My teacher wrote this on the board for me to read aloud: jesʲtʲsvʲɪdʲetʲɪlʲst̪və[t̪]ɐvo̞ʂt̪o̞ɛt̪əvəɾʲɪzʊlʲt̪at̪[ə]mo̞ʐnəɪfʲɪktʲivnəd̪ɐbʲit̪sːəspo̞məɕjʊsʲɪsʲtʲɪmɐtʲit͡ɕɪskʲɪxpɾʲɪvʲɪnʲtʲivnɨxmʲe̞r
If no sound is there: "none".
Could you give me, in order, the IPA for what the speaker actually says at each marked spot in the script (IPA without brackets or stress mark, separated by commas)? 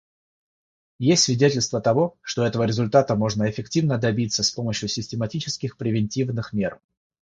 t̪, ə